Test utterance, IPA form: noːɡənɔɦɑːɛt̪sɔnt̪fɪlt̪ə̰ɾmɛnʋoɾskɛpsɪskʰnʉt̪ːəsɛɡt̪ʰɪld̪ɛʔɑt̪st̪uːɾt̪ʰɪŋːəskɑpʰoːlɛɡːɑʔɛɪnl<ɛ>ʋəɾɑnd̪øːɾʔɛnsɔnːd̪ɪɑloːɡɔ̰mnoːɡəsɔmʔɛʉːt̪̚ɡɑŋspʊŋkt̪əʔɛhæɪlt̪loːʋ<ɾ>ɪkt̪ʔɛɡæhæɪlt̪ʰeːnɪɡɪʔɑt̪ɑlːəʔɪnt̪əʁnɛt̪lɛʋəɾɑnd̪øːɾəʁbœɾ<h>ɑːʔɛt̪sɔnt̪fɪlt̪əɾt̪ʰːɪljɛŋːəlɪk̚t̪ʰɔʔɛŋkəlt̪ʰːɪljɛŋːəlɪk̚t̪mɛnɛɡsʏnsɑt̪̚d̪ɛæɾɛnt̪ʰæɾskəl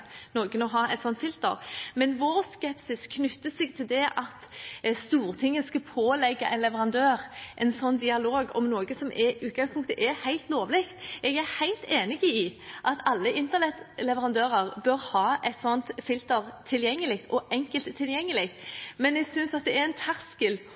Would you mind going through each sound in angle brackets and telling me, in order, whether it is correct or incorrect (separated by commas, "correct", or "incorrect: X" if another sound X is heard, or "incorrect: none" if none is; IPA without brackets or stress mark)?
correct, incorrect: l, correct